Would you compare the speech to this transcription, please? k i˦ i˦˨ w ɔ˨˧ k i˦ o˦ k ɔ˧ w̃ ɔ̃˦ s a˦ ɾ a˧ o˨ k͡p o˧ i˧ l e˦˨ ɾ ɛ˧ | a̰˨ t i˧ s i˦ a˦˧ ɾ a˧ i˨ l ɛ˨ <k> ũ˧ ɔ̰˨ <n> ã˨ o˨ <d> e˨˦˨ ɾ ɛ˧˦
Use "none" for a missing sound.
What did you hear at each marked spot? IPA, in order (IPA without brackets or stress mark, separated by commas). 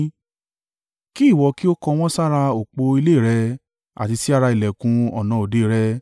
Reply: k, n, d